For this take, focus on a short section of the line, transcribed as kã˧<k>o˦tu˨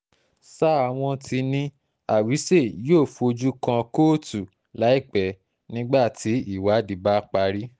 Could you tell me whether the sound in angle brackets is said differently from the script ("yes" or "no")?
no